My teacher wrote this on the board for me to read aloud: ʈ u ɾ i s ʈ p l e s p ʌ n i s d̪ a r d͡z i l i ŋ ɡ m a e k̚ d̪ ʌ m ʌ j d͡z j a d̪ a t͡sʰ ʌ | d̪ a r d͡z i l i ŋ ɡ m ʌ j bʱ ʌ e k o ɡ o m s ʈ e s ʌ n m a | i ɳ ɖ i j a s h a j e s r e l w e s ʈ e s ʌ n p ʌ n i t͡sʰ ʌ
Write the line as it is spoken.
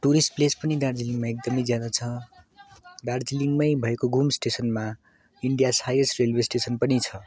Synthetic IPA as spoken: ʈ u ɾ i s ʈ p l e s p ʌ n i d̪ a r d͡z i l i ŋ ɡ m a e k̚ d̪ ʌ m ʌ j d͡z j a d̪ a t͡sʰ ʌ | d̪ a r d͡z i l i ŋ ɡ m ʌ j bʱ ʌ e k o ɡ u m s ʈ e s ʌ n m a | i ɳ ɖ i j a s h a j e s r e l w e s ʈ e s ʌ n p ʌ n i t͡sʰ ʌ